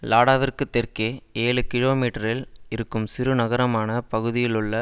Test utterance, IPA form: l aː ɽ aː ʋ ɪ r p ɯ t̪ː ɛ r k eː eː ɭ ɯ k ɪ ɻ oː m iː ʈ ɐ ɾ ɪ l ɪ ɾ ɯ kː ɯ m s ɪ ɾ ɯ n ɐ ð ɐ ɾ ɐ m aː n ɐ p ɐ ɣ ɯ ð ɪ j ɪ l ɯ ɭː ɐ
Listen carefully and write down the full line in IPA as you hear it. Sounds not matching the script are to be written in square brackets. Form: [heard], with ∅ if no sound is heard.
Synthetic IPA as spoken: l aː ɽ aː ʋ ɪ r [k] ɯ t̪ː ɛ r k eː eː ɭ ɯ k ɪ ɻ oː m iː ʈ ɐ ɾ ɪ l ɪ ɾ ɯ kː ɯ m s ɪ ɾ ɯ n ɐ [ɣ] ɐ ɾ ɐ m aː n ɐ p ɐ ɣ ɯ ð ɪ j ɪ l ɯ ɭː ɐ